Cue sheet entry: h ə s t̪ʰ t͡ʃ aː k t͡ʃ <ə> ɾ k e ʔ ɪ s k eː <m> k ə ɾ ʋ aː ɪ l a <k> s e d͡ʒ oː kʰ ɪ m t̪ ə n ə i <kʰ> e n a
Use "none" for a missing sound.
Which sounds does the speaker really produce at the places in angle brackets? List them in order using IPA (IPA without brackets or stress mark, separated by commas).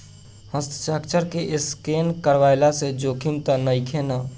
ə, n, none, kʰ